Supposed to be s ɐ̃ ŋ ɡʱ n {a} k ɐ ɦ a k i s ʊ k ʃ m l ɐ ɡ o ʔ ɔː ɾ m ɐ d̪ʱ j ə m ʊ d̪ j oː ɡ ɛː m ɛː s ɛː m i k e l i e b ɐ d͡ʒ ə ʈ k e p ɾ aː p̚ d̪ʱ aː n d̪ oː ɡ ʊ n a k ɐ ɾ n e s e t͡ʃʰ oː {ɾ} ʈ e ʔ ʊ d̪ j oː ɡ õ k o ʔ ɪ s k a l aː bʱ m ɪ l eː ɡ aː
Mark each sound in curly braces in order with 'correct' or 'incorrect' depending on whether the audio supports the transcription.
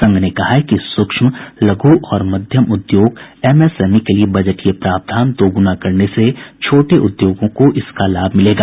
incorrect: e, incorrect: none

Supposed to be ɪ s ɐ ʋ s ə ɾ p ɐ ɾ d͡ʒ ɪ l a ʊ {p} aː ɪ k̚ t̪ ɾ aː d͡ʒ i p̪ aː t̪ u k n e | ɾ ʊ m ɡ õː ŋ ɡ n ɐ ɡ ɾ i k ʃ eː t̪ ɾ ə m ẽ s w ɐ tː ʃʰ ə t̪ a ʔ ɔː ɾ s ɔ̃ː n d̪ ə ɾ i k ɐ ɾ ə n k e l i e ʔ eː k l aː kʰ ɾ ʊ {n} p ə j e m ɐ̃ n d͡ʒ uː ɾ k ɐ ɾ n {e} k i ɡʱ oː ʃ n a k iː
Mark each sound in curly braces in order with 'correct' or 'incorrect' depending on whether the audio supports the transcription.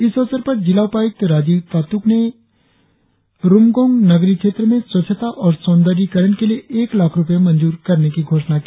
correct, incorrect: none, correct

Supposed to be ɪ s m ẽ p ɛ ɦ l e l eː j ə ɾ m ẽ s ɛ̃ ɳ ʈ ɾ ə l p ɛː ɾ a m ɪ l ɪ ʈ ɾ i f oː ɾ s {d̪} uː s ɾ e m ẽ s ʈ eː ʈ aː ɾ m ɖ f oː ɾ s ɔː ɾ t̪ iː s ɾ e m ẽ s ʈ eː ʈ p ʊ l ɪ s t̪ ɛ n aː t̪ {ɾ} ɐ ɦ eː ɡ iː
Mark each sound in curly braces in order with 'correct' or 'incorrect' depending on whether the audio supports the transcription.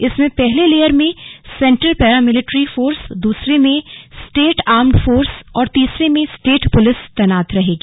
correct, correct

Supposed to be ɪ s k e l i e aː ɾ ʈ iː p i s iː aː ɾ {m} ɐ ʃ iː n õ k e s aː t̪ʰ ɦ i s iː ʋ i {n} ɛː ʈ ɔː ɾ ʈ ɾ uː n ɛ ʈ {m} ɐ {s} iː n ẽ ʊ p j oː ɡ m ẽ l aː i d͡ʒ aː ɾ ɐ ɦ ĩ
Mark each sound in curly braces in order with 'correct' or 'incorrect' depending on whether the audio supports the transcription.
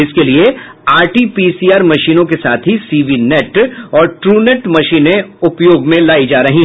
correct, correct, correct, incorrect: ʃ

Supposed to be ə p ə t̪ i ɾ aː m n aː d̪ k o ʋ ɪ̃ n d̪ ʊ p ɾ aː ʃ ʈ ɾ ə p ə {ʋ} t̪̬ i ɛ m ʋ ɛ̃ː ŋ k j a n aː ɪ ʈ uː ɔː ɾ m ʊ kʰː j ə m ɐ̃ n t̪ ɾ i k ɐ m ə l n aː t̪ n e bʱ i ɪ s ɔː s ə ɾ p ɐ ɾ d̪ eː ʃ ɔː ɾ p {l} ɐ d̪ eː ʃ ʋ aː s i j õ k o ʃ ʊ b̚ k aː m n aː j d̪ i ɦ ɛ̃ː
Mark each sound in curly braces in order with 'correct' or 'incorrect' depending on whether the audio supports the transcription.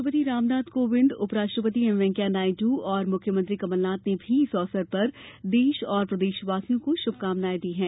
incorrect: none, incorrect: ɾ

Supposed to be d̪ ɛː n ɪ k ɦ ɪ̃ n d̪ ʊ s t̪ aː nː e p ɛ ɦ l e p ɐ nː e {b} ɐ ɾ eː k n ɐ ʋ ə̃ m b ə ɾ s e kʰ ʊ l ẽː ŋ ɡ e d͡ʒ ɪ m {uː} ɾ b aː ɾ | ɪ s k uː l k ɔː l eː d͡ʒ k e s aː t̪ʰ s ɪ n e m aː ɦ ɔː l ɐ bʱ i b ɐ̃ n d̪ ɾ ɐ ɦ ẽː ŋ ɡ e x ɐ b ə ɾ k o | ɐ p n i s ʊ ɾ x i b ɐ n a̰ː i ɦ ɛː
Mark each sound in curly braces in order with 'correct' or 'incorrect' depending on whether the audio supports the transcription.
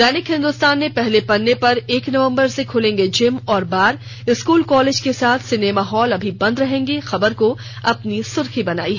incorrect: p, incorrect: ɔː

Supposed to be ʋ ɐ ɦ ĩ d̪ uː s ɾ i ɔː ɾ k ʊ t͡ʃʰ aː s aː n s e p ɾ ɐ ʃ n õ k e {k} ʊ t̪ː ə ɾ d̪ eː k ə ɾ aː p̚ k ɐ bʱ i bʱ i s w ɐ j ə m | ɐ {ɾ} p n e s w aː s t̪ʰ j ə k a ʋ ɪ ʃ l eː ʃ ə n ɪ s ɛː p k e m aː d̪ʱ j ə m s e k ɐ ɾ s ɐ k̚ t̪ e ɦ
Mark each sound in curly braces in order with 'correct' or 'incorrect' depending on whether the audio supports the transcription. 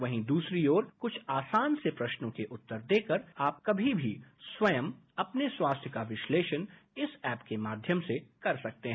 incorrect: ʔ, incorrect: none

